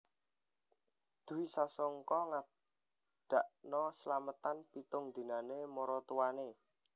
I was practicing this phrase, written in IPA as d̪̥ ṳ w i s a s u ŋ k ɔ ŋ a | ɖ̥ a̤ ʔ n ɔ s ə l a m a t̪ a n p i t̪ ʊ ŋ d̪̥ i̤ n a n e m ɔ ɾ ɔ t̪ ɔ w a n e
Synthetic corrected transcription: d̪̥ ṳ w i s a s ɔ ŋ k ɔ ŋ a | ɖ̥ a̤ ʔ n ɔ s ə l a m ə t̪ a n p i t̪ ʊ ŋ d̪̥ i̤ n a n e m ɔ ɾ ɔ t̪ u w a n e